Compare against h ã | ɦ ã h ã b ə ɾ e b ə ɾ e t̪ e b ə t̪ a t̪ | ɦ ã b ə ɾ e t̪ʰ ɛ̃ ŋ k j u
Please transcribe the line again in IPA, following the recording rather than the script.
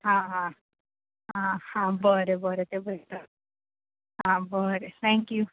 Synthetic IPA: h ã | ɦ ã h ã b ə ɾ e b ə ɾ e t̪ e b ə t̪ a | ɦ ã b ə ɾ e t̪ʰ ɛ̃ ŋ k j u